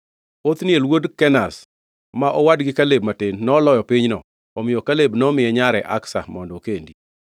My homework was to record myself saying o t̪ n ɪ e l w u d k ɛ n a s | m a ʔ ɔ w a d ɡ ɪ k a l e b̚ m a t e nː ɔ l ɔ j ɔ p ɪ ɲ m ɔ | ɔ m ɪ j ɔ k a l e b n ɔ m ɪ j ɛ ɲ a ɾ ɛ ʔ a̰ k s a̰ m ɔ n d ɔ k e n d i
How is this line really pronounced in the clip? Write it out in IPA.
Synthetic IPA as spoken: o t̪ n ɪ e l w o d k ɛ n a s | m a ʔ ɔ w a d ɡ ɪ k a l e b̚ m a t e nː ɔ l ɔ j ɔ p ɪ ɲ n ɔ | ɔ m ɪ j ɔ k a l e b n ɔ m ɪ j ɛ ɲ a ɾ ɛ ʔ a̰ k s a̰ m ɔ n d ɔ k e n d i